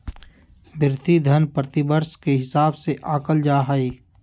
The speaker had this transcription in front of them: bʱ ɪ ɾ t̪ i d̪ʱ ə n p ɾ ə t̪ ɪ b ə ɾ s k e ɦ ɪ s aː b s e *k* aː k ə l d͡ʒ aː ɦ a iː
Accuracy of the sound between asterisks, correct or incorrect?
incorrect